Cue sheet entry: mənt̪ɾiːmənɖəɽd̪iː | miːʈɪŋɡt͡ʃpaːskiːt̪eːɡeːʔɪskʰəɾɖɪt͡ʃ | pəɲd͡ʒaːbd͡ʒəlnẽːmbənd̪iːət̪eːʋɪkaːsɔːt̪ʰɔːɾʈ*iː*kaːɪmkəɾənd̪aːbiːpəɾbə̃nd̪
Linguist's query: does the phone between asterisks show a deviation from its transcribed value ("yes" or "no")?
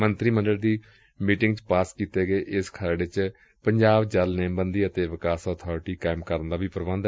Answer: no